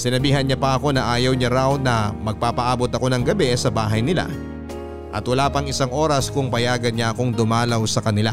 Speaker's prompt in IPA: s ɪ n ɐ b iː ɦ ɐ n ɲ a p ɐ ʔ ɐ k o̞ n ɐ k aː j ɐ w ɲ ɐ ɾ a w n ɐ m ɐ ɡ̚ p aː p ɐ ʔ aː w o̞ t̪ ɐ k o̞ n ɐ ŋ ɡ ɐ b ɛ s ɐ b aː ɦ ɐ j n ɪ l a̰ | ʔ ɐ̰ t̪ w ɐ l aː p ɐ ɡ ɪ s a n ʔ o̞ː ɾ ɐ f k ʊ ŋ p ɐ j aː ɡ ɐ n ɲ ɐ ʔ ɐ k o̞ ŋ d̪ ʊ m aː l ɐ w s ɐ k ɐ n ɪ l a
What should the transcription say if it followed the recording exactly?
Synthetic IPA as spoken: s ɪ n ɐ b iː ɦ ɐ n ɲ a p ɐ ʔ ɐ k o̞ n ɐ ʔ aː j ɐ w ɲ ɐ ɾ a w n ɐ m ɐ ɡ̚ p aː p ɐ ʔ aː b o̞ t̪ ɐ k o̞ n ɐ ŋ ɡ ɐ b ɛ s ɐ b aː ɦ ɐ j n ɪ l a̰ | ʔ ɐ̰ t̪ w ɐ l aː p ɐ ŋ ɪ s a ŋ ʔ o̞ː ɾ ɐ s k ʊ ŋ p ɐ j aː ɡ ɐ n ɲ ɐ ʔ ɐ k o̞ ŋ d̪ ʊ m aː l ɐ w s ɐ k ɐ n ɪ l a